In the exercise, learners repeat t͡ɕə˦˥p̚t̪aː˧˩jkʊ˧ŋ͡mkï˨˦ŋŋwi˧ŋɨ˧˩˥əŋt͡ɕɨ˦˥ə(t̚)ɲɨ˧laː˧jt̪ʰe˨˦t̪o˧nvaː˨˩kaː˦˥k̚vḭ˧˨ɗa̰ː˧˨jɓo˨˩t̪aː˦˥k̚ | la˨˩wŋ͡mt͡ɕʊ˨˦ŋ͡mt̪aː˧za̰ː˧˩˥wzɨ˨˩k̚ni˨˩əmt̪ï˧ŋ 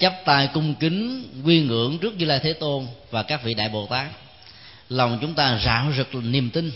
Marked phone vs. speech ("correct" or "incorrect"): incorrect